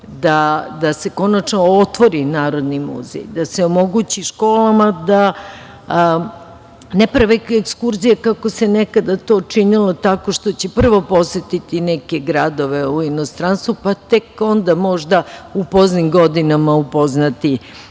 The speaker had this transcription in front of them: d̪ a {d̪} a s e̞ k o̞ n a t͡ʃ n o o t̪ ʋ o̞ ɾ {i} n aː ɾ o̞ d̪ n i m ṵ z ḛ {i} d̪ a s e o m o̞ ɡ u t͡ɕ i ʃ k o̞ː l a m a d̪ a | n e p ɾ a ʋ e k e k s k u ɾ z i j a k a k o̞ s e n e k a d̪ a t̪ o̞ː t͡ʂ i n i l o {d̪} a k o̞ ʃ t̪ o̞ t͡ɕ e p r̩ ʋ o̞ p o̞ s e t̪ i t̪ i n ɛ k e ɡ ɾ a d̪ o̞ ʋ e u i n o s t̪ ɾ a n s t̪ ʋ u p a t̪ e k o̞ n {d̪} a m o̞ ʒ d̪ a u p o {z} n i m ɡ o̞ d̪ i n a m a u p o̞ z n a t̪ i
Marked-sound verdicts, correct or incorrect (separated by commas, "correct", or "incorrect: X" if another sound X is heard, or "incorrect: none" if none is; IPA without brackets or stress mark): correct, correct, incorrect: j, incorrect: t̪, correct, correct